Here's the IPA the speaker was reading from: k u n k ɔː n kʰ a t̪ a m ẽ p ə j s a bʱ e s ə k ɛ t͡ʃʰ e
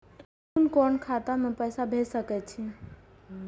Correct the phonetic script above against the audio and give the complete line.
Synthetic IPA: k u n k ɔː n kʰ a t̪ a m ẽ p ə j s a bʱ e s ə k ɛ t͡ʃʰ i